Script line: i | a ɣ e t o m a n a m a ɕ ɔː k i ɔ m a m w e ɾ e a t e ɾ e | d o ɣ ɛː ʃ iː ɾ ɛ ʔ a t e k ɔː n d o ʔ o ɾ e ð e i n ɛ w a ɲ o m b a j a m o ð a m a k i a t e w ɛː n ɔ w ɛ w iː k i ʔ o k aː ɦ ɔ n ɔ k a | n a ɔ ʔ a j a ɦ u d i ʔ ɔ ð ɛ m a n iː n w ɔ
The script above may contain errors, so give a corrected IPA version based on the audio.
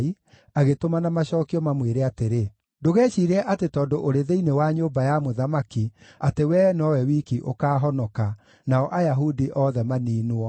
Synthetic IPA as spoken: i | a ɣ e t o m a n a m a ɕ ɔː k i ɔ m a m w e ɾ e a t e ɾ e | d o ɣ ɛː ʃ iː ɾ ɛ ʔ a t e t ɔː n d o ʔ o ɾ e ð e i n e w a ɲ o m b a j a m o ð a m a k i a t e w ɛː n ɔ w ɛ w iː k i ʔ o k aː ɦ ɔ n ɔ k a | n a ɔ ʔ a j a ɦ u d i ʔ ɔ ð ɛ m a n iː n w ɔ